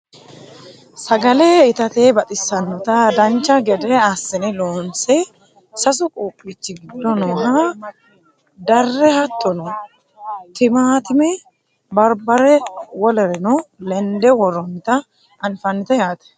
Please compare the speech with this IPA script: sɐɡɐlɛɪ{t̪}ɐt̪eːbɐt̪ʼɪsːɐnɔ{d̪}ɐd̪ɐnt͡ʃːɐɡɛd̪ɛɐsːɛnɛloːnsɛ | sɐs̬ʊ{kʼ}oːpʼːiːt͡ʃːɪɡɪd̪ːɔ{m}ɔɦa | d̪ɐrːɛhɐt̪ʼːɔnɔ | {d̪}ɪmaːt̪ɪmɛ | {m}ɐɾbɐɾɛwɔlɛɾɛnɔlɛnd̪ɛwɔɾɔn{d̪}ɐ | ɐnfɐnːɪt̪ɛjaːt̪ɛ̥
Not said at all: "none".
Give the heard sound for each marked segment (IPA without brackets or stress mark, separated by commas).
t̪, t̪, kʼ, n, t̪, b, t̪